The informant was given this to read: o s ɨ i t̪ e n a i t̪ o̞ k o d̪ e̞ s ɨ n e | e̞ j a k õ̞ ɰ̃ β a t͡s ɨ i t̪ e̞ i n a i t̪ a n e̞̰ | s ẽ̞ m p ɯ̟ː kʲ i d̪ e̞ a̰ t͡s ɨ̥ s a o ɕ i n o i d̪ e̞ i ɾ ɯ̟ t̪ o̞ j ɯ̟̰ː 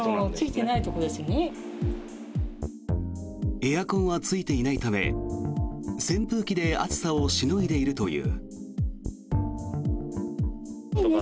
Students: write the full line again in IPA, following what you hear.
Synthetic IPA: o t͡s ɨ i t̪ e n a i t̪ o̞ k o d̪ e̞ s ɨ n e | e̞ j a k õ̞ ɰ̃ β a t͡s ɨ i t̪ e̞ i n a i t̪ a m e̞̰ | s ẽ̞ m p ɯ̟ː kʲ i d̪ e̞ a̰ t͡s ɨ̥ s a o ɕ i n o i d̪ e̞ i ɾ ɯ̟ t̪ o̞ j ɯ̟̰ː